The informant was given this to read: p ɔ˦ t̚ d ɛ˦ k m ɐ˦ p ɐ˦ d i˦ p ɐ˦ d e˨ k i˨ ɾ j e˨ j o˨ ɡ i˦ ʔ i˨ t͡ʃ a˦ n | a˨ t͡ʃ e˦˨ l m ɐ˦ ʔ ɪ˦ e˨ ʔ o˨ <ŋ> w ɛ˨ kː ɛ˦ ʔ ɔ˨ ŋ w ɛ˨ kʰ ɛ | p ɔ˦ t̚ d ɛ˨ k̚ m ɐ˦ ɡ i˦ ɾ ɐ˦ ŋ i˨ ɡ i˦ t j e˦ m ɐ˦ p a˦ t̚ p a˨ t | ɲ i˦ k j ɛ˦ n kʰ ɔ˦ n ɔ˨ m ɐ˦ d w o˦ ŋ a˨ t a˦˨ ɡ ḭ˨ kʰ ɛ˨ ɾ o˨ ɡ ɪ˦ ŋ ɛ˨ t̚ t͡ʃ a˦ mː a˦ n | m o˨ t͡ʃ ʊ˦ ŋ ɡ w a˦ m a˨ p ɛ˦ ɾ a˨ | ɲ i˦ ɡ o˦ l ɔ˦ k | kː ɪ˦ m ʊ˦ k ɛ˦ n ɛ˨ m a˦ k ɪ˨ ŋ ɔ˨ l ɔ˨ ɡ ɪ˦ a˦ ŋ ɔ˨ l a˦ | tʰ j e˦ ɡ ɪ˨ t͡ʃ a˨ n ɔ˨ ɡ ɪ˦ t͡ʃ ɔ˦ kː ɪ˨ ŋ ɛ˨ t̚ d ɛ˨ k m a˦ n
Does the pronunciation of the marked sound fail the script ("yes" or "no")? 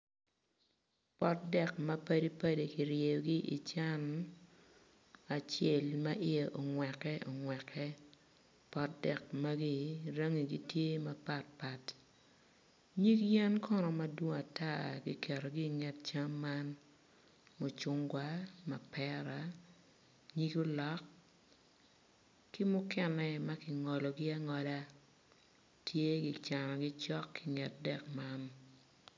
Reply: no